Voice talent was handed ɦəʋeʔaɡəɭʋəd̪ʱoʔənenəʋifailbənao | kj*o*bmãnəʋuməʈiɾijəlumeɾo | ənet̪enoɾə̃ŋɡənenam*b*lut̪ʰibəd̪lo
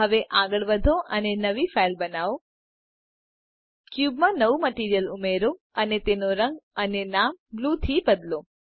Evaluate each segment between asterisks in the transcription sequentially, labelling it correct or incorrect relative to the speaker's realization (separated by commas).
incorrect, correct